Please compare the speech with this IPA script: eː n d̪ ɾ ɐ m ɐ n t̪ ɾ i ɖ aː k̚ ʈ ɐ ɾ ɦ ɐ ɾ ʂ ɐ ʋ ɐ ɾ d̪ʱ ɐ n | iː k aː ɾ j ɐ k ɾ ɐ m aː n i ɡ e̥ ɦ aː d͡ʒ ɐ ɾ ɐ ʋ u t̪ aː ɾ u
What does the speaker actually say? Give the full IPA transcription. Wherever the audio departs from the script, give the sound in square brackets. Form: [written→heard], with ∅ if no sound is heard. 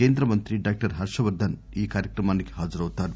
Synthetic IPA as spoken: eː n d̪ ɾ ɐ m ɐ n t̪ ɾ i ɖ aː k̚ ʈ ɐ ɾ ɦ ɐ ɾ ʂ ɐ ʋ ɐ ɾ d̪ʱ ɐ n | iː k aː ɾ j ɐ k ɾ ɐ m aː n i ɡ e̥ ɦ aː d͡ʒ ɐ ɾ ɐ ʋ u t̪ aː ɾ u